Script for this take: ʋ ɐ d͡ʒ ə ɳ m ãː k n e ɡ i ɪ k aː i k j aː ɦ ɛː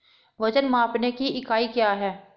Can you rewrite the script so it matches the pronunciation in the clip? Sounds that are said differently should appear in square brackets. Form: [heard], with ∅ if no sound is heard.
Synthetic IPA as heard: ʋ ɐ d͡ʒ ə [n] m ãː [p] n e [k] i ɪ k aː i k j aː ɦ ɛː